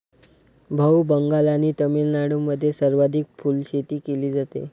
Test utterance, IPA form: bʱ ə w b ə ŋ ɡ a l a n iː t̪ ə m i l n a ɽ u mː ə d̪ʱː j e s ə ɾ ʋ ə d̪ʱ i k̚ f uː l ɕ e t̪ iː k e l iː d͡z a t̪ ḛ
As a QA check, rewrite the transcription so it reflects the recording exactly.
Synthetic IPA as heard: bʱ ə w b ə ŋ ɡ a l a n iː t̪ ə m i l n a ɽ u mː ə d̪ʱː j e s ə ɾ ʋ a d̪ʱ i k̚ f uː l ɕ e t̪ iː k e l iː d͡z a t̪ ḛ

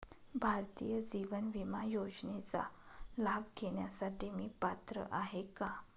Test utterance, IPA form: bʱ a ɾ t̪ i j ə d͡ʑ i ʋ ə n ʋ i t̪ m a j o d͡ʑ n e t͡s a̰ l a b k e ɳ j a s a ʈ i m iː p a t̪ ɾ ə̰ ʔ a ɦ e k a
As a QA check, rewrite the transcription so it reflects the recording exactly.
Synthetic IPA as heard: bʱ a ɾ t̪ i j ə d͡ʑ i ʋ ə n ʋ i m a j o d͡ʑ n e t͡s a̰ l a b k e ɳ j a s a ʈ i m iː p a t̪ ɾ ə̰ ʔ a ɦ e k a

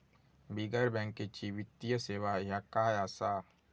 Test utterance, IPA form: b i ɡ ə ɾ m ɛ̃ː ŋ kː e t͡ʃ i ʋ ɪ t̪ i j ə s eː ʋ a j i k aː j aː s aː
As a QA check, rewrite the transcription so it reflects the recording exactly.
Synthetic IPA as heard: b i ɡ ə ɾ b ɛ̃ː ŋ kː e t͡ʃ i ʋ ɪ t̪ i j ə s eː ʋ a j a k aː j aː s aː

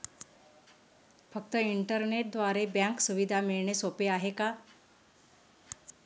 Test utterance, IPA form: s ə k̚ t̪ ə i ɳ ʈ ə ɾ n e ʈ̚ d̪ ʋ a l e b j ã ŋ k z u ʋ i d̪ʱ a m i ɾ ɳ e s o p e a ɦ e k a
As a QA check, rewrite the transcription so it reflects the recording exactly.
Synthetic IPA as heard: f ə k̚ t̪ ə i ɳ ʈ ə ɾ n e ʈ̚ d̪ ʋ a ɾ e b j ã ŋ k s u ʋ i d̪ʱ a m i ɭ ɳ e s o p e a ɦ e k a

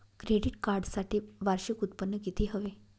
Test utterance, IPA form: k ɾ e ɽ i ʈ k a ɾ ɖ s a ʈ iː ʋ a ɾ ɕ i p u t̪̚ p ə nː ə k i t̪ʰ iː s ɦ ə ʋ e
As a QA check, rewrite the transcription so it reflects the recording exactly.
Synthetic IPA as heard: k ɾ e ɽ i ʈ k a ɾ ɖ s a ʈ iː ʋ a ɾ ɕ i k u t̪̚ p ə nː ə k i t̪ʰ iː ɦ ə ʋ e

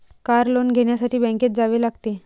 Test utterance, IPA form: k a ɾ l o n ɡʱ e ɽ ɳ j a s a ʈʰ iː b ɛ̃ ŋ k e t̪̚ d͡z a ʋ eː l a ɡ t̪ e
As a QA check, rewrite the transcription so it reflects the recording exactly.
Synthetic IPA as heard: k a ɾ l o n ɡʱ e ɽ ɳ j a s a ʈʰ iː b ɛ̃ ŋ k e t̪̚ d͡z a ʋ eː l a ɡ t̪ e

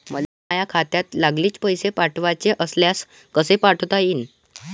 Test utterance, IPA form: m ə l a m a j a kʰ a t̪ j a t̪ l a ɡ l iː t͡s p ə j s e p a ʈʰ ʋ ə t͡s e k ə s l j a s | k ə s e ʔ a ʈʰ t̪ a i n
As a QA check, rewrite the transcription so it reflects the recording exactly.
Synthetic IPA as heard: m ə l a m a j a kʰ a t̪ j a t̪ l a ɡ l iː t͡s p ə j s e p a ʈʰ ʋ a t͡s e ʔ ə s l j a s | k ə s e p a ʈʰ t̪ a i n

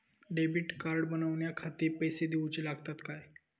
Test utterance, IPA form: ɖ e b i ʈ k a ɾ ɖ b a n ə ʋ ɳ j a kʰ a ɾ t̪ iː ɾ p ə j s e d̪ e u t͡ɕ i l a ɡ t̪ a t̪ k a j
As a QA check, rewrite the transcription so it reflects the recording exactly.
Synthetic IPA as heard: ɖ e b i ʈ k a ɾ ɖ b ə n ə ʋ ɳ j a kʰ a t̪ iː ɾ p ə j s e d̪ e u t͡ɕ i l a ɡ t̪ a t̪ k a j

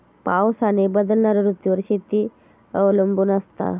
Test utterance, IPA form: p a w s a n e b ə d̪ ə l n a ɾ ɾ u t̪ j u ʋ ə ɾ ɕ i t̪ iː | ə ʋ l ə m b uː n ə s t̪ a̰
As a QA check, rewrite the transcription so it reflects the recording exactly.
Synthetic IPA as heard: p a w s a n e b ə d̪ ə l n a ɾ ɾ u t̪ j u ʋ ə ɾ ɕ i t̪ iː | ə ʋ l ə m b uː n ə s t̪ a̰

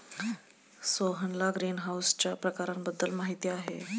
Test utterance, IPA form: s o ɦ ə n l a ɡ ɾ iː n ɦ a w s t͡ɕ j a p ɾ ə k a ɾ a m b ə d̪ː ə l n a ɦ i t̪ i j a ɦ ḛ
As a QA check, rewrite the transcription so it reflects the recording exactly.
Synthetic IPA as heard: s o ɦ ə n l a ɡ ɾ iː n ɦ a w s t͡ɕ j a p ɾ ə k a ɾ a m b ə d̪ː ə l m a ɦ i t̪ i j a ɦ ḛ

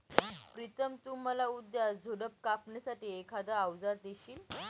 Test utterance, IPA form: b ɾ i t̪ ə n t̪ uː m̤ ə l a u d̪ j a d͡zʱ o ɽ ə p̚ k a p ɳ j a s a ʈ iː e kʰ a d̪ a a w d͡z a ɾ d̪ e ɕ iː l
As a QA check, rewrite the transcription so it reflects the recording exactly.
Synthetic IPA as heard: p ɾ i t̪ ə m t̪ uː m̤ ə l a u d̪ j a d͡zʱ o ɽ ə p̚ k a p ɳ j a s a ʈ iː e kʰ a d̪ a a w d͡z a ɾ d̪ e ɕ iː l

